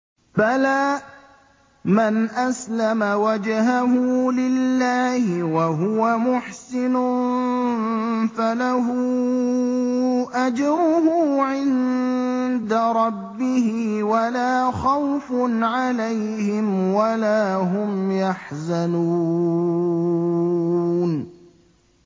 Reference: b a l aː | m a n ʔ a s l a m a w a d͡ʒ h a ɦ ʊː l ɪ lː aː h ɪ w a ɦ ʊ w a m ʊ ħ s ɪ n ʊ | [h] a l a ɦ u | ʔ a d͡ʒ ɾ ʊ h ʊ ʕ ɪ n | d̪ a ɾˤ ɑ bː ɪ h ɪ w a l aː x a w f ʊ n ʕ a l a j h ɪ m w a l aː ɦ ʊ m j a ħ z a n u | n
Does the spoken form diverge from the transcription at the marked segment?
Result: yes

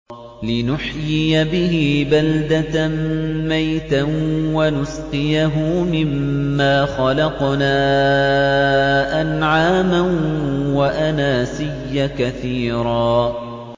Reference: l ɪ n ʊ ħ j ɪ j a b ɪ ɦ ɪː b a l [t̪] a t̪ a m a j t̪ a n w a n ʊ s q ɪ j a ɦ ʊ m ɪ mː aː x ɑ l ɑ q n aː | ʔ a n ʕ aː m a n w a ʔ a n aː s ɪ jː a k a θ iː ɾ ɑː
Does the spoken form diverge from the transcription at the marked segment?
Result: yes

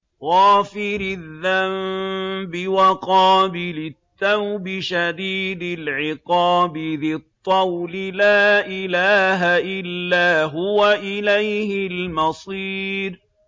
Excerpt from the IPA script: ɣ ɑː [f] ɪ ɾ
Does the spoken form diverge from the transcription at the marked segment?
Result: no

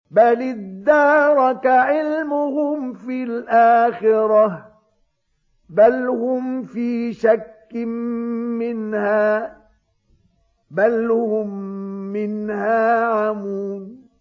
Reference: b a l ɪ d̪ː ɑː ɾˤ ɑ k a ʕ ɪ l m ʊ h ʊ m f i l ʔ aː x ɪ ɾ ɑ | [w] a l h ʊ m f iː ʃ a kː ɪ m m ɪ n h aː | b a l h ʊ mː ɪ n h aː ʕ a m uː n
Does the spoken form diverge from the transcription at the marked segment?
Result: yes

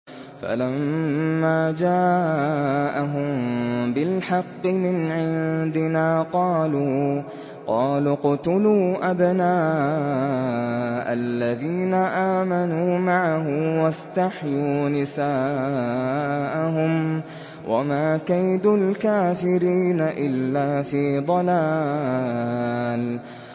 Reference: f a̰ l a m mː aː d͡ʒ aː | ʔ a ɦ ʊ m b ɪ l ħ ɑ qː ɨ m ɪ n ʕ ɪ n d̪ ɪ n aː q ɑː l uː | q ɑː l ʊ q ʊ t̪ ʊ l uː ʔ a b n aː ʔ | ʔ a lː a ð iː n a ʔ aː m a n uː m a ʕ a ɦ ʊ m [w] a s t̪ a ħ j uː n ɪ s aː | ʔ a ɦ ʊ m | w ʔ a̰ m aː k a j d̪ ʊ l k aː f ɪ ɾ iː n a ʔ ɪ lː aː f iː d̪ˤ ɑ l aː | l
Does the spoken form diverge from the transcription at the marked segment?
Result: no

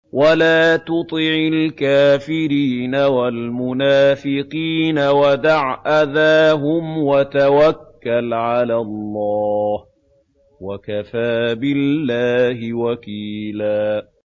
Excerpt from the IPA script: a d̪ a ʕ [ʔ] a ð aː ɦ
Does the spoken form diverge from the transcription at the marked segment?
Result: no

